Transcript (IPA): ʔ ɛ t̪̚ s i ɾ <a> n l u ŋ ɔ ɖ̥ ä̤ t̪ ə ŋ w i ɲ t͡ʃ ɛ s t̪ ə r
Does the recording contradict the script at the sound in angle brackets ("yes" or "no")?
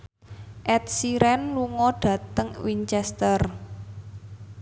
yes